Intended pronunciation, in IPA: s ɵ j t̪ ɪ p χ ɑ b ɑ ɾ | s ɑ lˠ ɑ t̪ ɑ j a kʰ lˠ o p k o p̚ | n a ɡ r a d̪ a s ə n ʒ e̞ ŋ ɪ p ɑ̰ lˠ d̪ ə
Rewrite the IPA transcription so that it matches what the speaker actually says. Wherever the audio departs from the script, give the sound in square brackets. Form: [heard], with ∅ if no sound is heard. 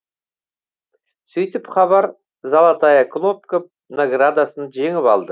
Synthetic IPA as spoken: s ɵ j t̪ ɪ p χ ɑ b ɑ ɾ | [z] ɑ lˠ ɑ t̪ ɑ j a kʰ lˠ o p k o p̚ | n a ɡ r a d̪ a s ə n ʒ e̞ ŋ ɪ p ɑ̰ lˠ d̪ ə